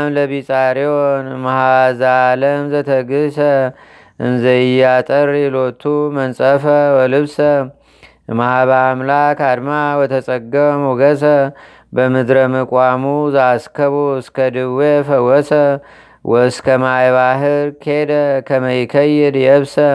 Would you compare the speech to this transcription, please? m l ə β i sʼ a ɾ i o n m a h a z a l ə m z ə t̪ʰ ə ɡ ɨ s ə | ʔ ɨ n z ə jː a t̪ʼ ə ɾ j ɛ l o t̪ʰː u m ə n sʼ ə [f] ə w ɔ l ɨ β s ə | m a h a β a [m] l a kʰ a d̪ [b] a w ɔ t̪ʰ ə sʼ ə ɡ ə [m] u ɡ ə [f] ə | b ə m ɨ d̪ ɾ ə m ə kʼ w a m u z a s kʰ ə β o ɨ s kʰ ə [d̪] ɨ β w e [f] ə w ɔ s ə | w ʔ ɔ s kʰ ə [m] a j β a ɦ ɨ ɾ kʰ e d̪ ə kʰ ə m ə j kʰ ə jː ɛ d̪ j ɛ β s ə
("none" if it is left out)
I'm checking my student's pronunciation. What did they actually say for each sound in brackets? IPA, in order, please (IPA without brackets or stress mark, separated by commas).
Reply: f, m, m, m, s, d̪, f, m